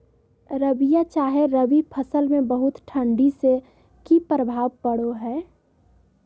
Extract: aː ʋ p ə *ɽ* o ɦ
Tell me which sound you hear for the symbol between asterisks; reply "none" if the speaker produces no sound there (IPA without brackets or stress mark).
ɽ